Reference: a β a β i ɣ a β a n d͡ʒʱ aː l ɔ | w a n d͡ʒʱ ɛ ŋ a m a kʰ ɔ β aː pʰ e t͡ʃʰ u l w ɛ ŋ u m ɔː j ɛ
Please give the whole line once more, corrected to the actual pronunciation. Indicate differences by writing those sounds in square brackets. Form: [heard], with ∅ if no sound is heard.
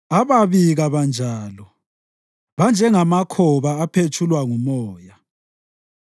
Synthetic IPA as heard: a β a β i ɣ a β a n d͡ʒʱ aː l ɔ | [β] a n d͡ʒʱ ɛ ŋ a m a kʰ ɔ β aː pʰ e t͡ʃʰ u l w [a] ŋ u m ɔː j [a]

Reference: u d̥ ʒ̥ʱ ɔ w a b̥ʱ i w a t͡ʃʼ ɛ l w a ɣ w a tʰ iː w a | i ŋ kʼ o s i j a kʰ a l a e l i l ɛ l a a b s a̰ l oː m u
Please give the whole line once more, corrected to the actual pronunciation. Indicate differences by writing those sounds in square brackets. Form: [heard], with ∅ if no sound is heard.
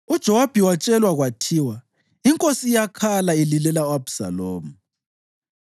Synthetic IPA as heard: u d̥ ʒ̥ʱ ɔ w a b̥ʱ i w a t͡ʃʼ ɛ l w a ɣ w a tʰ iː w a | i ŋ kʼ o s i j a kʰ a l a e l i l ɛ l a a b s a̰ l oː m u

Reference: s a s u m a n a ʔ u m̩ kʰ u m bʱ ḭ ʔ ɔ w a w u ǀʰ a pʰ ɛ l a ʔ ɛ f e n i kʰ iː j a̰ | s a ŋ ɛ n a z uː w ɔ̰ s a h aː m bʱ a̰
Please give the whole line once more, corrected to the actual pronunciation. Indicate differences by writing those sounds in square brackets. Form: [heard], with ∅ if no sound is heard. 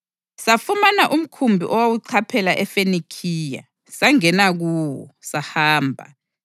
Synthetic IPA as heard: s a [f] u m a n a ʔ u m̩ kʰ u m bʱ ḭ ʔ ɔ w a w u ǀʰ a pʰ ɛ l a ʔ ɛ f e n i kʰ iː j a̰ | s a ŋ ɛ n a [ɣ] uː w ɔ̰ s a h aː m bʱ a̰

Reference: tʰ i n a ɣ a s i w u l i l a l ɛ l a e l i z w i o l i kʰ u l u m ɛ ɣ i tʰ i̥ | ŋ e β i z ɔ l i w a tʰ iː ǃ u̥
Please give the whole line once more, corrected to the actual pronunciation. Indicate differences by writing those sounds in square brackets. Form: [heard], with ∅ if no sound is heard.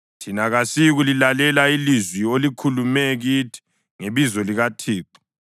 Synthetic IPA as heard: tʰ i n a ɣ a s i [ɣ] u l i l a l ɛ l a [i] l i z w i o l i kʰ u l u m ɛ ɣ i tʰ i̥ | ŋ e β i z ɔ l i [ɣ] a tʰ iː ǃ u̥

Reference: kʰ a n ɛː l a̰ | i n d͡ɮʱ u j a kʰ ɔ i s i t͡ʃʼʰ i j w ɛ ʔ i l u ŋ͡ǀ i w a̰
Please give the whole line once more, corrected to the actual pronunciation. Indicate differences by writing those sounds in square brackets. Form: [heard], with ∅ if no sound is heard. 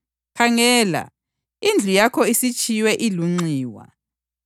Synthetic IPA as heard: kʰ a [ŋ] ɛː l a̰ | i n d͡ɮʱ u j a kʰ ɔ i s i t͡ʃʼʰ i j w ɛ ʔ i l u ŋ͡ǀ [iː] w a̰

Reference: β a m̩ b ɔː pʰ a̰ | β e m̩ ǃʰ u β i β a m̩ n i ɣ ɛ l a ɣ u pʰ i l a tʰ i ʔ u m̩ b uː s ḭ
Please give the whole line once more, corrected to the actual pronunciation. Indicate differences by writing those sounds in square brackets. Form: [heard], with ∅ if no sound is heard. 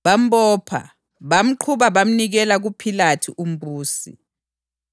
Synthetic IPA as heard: β a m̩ b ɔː pʰ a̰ | β [a] m̩ ǃʰ u β [a] β a m̩ n i ɣ ɛ l a ɣ u pʰ i l a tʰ i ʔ u m̩ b uː s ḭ

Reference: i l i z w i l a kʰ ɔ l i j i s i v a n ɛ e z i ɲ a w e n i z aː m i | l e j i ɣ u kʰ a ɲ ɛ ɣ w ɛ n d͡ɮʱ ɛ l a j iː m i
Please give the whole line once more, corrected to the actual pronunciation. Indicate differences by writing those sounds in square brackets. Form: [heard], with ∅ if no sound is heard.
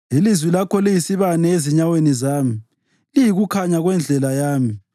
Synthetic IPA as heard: i l i z w i l a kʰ ɔ l i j i s i [β] a n ɛ e z i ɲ a w e n i z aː m i | l [i] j i ɣ u kʰ a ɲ [a] ɣ w ɛ n d͡ɮʱ ɛ l a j [aː] m i

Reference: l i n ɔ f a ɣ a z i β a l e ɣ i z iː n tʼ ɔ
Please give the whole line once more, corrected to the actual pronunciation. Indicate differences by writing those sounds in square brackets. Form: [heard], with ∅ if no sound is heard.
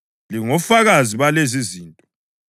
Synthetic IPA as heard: l i [ŋ] ɔ f a ɣ a z i β a l e [z] i z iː n tʼ ɔ

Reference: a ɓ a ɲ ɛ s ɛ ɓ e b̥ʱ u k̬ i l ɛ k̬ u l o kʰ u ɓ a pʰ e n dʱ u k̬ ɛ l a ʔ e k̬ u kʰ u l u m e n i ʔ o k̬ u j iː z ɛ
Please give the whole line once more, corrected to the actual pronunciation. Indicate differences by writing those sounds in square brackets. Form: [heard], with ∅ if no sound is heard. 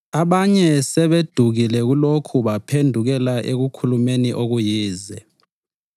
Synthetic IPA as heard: a ɓ a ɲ ɛ s ɛ ɓ e [d̥ʱ] u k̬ i l ɛ k̬ u l o kʰ u ɓ a pʰ e n dʱ u k̬ ɛ l a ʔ e k̬ u kʰ u l u m e n i ʔ o k̬ u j iː z ɛ

